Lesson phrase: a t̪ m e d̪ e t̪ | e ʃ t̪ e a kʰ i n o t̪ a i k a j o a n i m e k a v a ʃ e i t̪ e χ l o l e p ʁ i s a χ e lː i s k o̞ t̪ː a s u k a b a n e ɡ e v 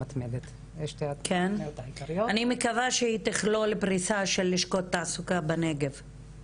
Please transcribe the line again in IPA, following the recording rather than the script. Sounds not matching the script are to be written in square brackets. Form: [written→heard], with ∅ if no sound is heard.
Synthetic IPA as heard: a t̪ m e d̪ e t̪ | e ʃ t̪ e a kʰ [i→e] n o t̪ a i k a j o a n i m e k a v a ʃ e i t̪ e χ l o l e p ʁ i s a [χ→ʃ] e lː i [s→ʃ] k o̞ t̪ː a s u k a b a n e ɡ e v